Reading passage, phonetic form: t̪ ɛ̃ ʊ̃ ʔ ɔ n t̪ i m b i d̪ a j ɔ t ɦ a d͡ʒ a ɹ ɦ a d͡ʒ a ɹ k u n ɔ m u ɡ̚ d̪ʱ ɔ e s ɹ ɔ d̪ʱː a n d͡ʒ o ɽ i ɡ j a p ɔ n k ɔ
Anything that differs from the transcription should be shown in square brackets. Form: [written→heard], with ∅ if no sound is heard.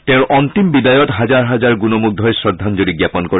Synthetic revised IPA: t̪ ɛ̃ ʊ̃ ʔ ɔ n t̪ i m b i d̪ a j ɔ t ɦ a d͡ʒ a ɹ ɦ a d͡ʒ a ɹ [k→ɡ] u n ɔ m u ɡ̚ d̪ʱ ɔ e s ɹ ɔ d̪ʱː a n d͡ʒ o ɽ i ɡ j a p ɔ n k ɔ